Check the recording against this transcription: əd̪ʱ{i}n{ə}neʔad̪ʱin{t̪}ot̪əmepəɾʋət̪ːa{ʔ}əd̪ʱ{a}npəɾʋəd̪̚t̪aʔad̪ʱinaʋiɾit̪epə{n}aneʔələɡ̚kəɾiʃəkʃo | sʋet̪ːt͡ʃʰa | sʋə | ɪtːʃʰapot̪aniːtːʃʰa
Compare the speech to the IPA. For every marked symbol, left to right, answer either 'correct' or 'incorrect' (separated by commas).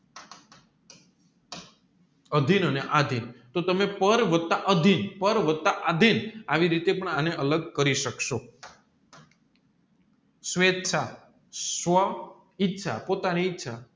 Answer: correct, correct, correct, correct, incorrect, incorrect